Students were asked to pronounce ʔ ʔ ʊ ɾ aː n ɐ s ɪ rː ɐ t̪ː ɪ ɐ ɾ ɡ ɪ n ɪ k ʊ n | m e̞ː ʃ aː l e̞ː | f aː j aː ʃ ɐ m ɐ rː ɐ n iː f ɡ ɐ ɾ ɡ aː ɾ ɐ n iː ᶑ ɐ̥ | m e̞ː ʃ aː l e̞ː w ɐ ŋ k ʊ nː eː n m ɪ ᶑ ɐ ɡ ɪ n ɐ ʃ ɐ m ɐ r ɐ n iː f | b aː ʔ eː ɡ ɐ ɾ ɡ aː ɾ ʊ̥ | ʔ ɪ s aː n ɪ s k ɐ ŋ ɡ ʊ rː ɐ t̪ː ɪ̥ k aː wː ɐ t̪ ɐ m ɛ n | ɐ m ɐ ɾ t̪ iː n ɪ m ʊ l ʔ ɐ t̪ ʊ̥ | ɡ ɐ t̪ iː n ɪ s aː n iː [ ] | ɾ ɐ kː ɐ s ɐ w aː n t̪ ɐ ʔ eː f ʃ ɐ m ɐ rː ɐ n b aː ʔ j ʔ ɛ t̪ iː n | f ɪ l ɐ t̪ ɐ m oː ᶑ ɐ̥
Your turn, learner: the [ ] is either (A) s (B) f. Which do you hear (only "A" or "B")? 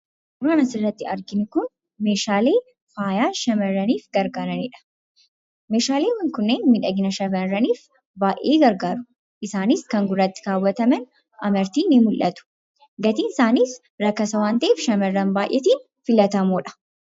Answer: A